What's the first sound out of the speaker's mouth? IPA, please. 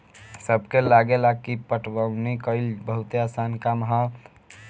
s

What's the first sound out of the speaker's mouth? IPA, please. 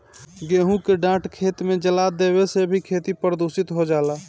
ɡ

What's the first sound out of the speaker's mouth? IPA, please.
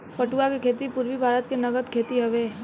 p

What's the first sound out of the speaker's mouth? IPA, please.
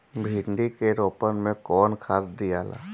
bʱ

